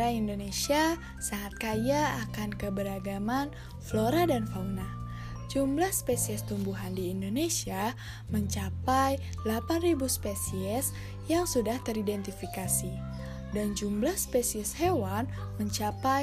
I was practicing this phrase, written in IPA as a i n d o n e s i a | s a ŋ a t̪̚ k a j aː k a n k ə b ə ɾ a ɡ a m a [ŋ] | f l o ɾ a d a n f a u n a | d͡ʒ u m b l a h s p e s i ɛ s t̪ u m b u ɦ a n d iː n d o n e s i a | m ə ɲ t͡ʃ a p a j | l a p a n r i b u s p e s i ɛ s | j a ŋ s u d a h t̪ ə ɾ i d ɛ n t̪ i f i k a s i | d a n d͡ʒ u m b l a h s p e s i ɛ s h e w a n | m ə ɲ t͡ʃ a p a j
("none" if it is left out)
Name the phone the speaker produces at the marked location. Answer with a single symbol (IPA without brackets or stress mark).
n